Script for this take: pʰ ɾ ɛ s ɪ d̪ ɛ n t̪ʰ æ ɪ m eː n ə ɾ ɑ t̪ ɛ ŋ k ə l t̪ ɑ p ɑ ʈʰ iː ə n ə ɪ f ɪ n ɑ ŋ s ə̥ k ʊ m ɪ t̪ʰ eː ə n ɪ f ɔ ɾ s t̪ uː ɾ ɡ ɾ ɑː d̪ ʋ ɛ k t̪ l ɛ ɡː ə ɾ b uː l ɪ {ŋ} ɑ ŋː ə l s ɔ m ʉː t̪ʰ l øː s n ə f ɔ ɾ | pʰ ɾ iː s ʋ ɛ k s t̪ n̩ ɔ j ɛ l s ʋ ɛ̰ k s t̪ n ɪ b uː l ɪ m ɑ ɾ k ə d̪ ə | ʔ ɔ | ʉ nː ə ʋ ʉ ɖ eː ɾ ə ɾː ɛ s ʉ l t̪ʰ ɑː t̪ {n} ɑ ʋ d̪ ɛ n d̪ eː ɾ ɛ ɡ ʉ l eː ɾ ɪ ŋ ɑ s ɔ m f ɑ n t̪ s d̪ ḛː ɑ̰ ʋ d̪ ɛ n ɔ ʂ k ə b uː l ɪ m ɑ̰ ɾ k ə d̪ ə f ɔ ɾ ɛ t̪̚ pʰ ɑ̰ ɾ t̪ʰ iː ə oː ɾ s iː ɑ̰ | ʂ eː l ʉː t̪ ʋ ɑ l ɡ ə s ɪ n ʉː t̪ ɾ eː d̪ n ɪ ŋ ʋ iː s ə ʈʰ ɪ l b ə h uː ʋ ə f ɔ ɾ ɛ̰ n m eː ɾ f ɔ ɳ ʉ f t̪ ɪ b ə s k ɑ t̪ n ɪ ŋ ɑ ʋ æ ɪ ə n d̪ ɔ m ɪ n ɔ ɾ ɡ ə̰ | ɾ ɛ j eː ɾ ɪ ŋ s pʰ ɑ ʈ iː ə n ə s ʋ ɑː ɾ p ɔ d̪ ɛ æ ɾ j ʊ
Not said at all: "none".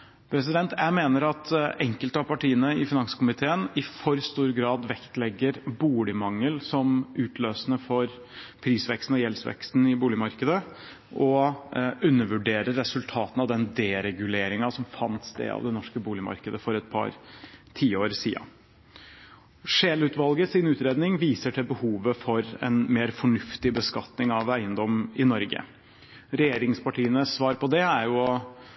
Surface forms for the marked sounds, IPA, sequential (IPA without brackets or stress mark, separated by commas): m, n